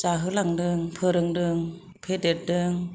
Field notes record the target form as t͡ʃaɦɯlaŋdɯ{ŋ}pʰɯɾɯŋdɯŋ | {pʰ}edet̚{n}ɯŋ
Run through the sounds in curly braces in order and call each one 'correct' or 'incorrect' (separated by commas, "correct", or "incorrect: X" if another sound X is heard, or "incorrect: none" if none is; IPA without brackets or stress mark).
correct, correct, incorrect: d